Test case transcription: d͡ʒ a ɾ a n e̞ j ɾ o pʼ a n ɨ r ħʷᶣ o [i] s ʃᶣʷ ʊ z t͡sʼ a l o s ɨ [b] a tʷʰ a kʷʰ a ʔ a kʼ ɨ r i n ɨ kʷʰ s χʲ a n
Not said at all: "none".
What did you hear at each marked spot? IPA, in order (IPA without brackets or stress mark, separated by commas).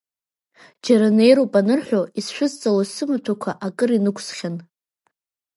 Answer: i, m